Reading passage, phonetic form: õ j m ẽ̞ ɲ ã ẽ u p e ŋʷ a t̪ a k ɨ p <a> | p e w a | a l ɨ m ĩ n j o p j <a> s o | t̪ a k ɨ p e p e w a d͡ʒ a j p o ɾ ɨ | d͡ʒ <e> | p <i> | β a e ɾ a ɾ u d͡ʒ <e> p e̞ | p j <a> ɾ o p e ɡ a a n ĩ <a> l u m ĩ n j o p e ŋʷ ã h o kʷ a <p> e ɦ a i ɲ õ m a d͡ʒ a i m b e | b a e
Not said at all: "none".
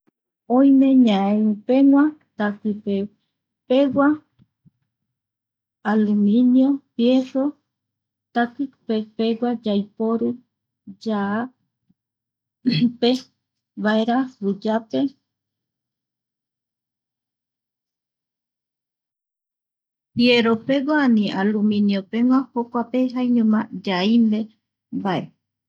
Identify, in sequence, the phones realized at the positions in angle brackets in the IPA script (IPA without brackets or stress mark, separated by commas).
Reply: e, e, a, e, a, e, a, p